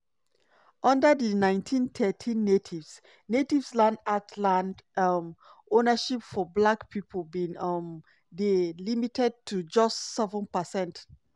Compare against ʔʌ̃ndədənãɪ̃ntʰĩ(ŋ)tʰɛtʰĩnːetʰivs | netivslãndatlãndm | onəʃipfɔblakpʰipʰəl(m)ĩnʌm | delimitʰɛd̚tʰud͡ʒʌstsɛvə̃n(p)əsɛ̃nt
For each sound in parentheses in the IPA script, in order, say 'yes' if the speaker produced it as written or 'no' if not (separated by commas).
no, no, yes